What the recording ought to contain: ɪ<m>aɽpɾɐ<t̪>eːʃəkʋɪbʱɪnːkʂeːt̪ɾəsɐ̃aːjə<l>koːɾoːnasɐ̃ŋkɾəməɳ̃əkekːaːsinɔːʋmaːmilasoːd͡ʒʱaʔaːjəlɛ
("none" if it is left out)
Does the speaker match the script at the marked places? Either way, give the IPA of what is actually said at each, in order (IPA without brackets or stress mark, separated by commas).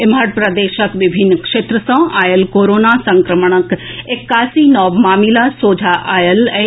m, d̪, l